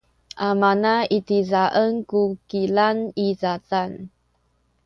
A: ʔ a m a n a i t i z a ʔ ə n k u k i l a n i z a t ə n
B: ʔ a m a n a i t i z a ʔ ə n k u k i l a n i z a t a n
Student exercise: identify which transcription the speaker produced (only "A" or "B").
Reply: B